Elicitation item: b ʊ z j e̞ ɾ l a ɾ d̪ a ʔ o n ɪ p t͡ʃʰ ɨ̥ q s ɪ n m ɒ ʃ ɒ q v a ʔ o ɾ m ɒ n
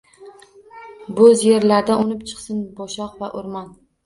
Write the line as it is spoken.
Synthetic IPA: b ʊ z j e̞ ɾ l a ɾ d̪ a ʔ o n ɪ p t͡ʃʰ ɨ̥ q s ɪ n b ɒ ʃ ɒ q v a ʔ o ɾ m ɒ n